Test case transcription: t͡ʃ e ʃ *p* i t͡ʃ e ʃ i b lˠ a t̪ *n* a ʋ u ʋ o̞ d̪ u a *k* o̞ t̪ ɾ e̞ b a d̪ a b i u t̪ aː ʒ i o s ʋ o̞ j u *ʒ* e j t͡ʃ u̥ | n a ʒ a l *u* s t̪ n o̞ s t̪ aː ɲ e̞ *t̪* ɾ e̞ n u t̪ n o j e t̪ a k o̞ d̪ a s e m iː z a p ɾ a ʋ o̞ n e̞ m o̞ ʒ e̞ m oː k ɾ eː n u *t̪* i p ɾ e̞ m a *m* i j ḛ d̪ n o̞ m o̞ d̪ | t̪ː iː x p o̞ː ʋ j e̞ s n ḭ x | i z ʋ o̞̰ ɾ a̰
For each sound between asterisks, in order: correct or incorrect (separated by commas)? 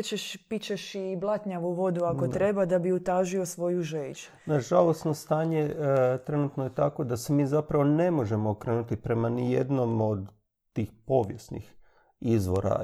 correct, incorrect, correct, correct, incorrect, correct, correct, incorrect